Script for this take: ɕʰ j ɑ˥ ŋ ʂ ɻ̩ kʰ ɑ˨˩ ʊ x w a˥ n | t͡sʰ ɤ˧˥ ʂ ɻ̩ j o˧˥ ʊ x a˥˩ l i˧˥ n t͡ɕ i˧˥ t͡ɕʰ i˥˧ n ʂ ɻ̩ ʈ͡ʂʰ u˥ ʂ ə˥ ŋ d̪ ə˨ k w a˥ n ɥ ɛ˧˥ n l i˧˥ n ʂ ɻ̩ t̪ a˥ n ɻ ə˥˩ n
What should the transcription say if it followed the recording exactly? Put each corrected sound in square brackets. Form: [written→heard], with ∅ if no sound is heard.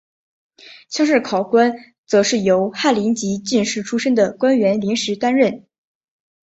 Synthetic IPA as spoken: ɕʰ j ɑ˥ ŋ ʂ ɻ̩ kʰ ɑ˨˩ ʊ [x→k] w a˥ n | [t͡sʰ→t͡s] ɤ˧˥ ʂ ɻ̩ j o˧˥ ʊ x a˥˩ l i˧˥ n t͡ɕ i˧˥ [t͡ɕʰ→t͡ɕ] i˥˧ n ʂ ɻ̩ ʈ͡ʂʰ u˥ ʂ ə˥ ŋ d̪ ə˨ k w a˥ n ɥ ɛ˧˥ n l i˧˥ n ʂ ɻ̩ t̪ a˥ n ɻ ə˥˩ n